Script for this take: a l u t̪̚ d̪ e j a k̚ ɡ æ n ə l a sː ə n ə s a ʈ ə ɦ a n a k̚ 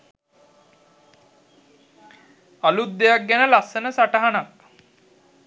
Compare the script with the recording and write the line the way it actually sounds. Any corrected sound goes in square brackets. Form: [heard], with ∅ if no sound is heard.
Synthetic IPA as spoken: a l u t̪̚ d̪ e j a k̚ ɡ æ n ə l a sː ə n ə s a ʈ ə ɦ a n a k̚